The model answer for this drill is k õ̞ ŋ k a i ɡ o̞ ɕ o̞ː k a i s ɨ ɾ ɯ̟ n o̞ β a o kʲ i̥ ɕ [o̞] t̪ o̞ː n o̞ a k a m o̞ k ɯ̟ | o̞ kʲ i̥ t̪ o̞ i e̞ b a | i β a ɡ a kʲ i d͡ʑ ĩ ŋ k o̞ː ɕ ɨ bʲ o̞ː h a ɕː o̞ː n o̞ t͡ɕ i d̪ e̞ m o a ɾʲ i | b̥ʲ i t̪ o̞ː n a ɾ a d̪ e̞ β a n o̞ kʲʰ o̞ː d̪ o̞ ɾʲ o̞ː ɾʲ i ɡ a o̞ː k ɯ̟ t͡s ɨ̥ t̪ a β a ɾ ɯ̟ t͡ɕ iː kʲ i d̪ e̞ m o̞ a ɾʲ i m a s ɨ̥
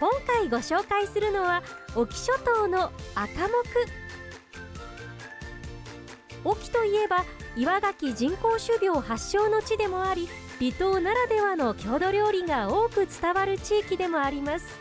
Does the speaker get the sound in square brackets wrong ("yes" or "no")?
no